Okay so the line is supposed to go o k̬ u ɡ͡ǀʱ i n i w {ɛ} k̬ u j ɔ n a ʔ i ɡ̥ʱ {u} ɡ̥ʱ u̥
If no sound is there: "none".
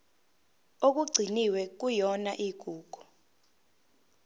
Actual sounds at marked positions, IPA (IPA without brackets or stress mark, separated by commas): ɛ, uː